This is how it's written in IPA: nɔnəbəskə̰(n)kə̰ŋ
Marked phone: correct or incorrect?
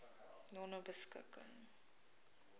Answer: incorrect